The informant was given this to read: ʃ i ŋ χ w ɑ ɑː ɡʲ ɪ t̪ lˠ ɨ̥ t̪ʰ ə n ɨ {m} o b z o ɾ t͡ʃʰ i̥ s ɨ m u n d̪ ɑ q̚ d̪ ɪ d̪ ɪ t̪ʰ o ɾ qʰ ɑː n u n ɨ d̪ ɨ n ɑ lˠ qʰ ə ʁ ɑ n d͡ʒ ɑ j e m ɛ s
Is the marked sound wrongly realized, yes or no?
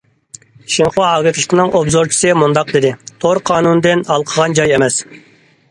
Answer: yes